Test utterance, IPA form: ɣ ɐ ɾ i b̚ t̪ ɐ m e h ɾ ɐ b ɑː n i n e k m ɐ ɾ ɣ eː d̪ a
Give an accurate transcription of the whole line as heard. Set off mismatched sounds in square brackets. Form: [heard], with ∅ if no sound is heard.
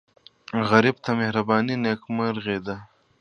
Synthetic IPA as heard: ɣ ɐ ɾ i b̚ t̪ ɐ m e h ɾ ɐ b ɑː n i n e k m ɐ ɾ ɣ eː d̪ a

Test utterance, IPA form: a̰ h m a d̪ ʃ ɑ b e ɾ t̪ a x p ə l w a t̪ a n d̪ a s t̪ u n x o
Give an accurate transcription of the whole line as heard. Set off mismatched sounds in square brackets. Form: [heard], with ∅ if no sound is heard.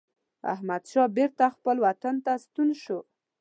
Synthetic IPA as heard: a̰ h m a d̪ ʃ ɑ b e ɾ t̪ a x p ə l w a t̪ a n [t̪] a s t̪ u n [ʃ] o

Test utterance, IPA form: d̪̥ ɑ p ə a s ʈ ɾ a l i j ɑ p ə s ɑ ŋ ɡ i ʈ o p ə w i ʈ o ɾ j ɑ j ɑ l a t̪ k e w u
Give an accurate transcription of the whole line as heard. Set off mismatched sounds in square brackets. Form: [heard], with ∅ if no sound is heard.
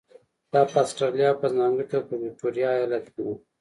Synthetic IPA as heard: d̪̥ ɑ p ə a s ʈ ɾ a l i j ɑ p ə [z] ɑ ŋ ɡ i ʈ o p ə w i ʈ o ɾ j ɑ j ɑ l a t̪ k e w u

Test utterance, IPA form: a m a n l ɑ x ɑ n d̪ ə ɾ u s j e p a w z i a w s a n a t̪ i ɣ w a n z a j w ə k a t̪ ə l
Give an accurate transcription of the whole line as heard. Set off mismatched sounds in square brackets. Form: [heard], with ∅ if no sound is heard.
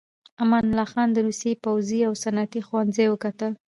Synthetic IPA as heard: a m a n l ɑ x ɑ n d̪ ə ɾ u s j e p a w z i a w s a n a t̪ i [x] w a n z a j w ə k a t̪ ə l

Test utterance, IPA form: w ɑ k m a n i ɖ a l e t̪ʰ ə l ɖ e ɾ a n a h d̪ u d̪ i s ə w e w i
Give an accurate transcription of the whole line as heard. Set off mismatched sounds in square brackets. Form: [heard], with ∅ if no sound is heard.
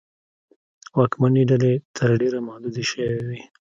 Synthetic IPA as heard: w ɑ k m a n i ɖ a l e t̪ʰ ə [ɾ] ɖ e ɾ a [m] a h d̪ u d̪ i [ʃ] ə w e w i

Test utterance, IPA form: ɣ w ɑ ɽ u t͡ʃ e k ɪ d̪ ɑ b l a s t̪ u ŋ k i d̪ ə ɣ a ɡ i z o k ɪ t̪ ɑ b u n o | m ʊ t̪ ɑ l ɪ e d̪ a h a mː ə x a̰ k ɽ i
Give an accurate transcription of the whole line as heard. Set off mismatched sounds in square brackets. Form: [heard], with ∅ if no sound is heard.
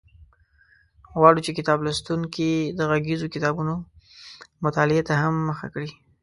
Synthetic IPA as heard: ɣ w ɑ ɽ u t͡ʃ e k ɪ [t̪] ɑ b l a s t̪ u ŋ k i d̪ ə ɣ a ɡ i z o k ɪ t̪ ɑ b u n o | m ʊ t̪ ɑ l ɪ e [t̪] a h a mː ə x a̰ k ɽ i

